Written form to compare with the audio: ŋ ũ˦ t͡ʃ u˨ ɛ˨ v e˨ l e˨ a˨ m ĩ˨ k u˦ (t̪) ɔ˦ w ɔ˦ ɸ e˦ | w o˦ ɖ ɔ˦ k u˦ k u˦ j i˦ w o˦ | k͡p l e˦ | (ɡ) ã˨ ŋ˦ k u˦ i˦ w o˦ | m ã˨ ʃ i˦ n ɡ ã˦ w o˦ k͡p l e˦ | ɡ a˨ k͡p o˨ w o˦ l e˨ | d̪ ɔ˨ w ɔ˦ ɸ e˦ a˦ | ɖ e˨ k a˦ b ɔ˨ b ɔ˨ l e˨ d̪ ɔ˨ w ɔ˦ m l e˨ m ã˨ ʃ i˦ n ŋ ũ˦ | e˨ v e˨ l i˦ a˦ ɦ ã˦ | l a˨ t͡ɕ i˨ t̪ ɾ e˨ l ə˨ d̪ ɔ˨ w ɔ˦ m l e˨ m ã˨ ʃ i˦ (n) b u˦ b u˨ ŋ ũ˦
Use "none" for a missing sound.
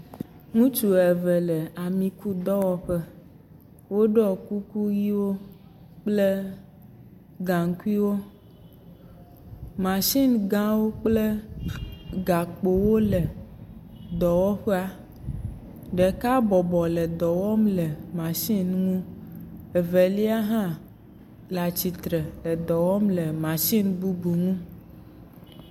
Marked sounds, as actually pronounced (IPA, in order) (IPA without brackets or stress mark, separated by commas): d̪, ɡ, n